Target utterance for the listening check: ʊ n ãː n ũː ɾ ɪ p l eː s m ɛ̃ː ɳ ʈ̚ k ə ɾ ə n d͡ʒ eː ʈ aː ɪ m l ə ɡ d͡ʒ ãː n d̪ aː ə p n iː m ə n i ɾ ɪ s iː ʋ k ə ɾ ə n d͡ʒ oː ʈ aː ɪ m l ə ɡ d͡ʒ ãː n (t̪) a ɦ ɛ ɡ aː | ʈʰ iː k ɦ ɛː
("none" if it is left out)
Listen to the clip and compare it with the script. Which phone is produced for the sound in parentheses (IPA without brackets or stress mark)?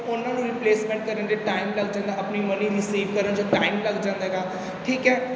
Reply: d̪